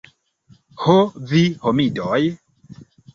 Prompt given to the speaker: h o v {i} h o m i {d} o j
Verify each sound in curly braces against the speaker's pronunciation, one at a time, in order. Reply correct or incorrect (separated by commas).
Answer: correct, correct